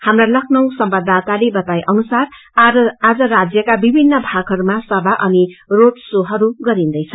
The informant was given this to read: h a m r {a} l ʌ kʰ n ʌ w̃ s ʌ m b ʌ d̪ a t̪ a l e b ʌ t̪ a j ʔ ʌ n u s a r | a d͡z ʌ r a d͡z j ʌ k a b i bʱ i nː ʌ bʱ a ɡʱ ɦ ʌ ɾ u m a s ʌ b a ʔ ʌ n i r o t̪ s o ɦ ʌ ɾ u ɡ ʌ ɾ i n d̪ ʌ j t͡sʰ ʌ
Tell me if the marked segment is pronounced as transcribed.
yes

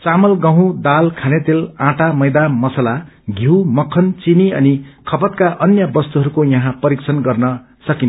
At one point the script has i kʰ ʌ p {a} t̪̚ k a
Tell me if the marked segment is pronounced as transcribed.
no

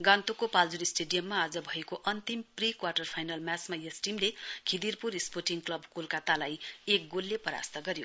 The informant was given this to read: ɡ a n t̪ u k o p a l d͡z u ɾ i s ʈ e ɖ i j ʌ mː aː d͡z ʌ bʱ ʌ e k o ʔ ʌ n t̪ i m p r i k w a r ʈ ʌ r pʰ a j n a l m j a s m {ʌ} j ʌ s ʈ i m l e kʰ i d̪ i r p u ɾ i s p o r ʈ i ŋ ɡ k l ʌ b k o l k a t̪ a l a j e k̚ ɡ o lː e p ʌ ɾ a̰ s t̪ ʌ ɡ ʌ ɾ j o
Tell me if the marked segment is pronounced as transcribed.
no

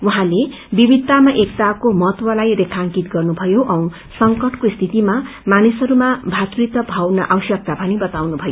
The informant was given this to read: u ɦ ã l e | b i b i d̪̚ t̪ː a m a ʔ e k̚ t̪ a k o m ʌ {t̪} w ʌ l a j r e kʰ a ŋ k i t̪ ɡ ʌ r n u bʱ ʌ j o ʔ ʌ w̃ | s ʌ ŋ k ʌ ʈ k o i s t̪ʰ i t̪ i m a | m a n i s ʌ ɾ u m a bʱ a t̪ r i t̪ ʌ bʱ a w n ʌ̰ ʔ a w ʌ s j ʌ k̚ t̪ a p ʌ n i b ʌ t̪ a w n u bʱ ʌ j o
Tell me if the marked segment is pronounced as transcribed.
yes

